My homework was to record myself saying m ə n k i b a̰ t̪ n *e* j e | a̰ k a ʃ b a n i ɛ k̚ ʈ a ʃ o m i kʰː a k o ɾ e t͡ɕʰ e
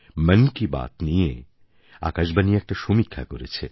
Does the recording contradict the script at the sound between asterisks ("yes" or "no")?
yes